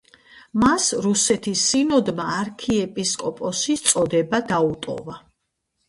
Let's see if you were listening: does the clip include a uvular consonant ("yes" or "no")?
no